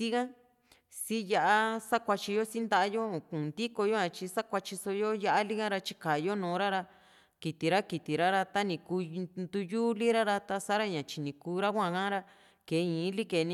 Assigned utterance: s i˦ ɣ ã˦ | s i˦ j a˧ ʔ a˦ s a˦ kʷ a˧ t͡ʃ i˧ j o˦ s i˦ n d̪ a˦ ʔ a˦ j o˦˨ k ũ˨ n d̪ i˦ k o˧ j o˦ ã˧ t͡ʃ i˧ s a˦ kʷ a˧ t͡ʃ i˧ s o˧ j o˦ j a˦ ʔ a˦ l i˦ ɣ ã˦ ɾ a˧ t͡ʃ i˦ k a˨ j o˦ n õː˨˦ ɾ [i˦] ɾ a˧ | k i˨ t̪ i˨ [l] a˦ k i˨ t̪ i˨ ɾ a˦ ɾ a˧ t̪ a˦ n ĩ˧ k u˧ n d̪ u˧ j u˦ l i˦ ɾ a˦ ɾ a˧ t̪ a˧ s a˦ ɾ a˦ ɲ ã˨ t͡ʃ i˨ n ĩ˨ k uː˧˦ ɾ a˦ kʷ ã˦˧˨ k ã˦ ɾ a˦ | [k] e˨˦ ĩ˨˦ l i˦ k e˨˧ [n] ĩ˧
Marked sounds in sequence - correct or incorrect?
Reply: incorrect: a˦, incorrect: ɾ, correct, correct

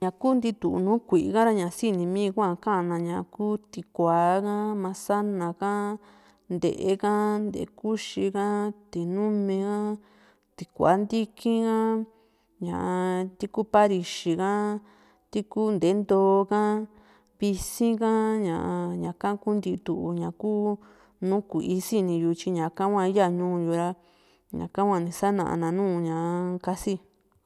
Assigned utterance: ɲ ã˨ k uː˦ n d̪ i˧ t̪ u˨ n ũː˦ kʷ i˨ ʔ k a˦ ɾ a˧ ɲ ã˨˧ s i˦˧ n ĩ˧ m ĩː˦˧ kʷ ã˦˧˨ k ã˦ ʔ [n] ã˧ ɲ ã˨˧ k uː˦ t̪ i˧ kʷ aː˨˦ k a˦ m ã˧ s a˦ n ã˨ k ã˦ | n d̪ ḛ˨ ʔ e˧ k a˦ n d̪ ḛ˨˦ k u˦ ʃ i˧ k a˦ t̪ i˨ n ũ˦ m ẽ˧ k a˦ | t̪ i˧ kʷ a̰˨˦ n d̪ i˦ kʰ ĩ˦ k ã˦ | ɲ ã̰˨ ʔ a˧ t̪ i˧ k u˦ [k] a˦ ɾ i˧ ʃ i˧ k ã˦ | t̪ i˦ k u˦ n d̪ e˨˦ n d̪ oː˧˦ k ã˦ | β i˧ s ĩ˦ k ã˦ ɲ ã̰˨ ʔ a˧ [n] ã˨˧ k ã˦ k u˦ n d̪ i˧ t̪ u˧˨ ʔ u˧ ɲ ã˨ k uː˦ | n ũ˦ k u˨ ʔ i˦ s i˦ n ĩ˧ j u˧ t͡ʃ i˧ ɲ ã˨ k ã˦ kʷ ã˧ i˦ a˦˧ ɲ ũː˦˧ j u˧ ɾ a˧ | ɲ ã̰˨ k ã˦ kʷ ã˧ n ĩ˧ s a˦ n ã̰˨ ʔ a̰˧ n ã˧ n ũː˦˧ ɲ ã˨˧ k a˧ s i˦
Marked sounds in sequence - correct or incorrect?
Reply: correct, incorrect: p, incorrect: ɲ

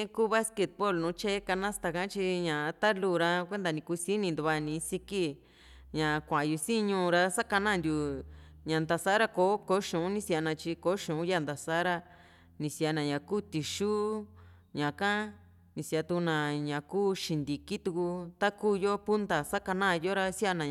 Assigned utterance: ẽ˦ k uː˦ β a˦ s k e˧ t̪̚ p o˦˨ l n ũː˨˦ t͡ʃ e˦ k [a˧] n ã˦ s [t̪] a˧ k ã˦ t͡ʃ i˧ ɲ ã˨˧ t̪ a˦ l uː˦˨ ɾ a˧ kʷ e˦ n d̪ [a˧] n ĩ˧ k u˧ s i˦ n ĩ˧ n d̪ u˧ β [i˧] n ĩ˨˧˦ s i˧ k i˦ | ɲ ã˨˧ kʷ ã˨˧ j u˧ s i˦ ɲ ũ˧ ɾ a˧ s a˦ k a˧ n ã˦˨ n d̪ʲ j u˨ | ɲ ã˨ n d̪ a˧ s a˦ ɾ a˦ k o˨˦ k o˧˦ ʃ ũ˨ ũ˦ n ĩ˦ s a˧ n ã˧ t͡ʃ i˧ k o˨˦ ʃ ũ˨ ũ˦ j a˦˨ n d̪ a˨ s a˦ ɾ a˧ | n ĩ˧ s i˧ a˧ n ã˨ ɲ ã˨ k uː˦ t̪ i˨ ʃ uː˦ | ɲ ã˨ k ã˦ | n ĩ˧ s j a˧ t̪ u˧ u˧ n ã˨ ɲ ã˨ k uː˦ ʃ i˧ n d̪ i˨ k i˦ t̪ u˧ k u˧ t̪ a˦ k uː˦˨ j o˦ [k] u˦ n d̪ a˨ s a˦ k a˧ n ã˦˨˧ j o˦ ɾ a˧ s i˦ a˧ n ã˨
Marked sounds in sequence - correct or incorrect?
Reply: correct, correct, correct, incorrect: a˧, incorrect: p

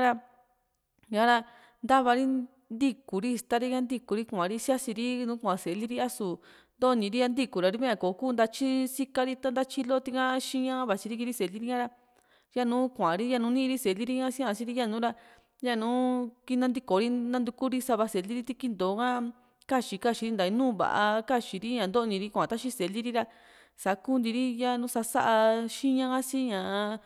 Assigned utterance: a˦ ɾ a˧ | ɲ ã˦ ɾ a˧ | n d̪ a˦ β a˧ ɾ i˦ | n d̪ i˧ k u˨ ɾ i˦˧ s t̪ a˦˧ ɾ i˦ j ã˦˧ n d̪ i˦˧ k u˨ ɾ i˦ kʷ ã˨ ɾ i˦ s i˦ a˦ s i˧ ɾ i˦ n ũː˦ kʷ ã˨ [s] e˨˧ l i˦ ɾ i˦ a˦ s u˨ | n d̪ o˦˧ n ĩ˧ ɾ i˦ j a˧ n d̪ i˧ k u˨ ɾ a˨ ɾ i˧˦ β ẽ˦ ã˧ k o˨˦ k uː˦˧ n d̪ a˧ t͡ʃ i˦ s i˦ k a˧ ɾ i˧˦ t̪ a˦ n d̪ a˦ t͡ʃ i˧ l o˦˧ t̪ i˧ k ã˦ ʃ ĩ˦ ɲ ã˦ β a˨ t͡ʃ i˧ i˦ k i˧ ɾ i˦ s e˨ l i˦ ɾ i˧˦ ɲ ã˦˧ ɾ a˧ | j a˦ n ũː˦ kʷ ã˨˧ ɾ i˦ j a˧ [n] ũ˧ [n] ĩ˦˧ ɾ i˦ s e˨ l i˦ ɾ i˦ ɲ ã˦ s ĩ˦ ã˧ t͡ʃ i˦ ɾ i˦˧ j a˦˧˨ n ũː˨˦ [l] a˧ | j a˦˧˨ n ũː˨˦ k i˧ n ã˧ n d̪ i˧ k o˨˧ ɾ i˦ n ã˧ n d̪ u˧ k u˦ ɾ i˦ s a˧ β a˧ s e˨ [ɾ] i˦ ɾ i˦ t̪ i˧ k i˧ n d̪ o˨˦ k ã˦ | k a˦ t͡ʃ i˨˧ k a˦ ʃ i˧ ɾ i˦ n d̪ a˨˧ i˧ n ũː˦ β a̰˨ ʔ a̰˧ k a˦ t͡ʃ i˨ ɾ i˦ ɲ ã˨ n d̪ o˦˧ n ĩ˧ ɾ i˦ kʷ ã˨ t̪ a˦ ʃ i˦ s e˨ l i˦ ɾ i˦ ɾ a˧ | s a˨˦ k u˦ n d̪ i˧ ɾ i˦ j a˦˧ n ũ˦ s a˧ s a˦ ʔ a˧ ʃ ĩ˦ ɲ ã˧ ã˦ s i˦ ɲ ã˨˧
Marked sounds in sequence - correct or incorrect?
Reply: correct, correct, correct, incorrect: ɾ, incorrect: l

